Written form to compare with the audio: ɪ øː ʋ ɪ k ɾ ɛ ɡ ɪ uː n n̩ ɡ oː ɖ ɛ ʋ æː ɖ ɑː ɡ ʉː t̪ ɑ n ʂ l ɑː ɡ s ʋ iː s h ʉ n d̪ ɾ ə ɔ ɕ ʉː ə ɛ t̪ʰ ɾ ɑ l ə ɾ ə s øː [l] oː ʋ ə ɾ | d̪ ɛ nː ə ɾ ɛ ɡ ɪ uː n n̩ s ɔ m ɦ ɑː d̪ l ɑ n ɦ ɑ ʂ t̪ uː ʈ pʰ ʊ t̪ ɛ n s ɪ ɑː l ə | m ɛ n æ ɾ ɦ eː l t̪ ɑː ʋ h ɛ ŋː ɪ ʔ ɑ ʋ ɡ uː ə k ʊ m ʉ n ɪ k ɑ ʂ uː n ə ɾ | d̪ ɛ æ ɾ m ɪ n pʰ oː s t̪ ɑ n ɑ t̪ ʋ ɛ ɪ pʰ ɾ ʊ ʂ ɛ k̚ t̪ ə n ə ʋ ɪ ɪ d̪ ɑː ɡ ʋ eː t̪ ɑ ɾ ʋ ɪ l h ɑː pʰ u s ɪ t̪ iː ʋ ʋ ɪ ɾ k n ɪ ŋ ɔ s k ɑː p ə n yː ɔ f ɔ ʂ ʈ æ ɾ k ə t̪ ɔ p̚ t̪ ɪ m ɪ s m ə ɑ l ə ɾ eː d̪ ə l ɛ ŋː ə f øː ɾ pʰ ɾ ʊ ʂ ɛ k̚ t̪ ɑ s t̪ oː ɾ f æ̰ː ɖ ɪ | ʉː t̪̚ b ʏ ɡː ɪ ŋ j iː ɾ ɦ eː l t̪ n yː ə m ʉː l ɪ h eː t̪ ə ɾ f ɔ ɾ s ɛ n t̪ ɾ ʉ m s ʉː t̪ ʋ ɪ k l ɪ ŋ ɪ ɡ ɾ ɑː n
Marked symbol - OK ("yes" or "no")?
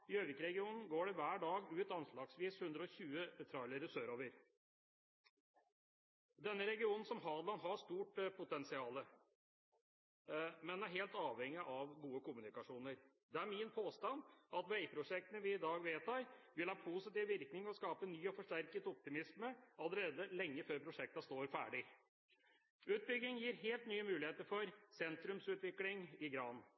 no